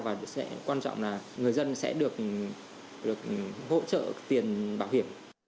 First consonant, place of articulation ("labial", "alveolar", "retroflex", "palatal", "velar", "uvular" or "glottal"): labial